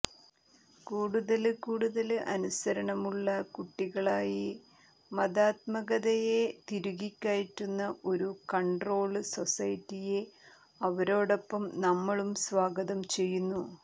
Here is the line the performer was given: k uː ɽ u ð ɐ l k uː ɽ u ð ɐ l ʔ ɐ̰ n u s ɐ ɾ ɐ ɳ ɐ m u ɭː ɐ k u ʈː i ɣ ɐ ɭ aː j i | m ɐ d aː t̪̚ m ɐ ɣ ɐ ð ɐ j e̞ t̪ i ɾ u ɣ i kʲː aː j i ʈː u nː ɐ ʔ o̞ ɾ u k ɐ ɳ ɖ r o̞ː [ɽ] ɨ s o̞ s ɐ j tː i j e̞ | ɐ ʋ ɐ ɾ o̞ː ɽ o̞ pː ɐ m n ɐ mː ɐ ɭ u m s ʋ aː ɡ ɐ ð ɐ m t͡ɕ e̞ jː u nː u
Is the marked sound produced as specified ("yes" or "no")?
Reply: no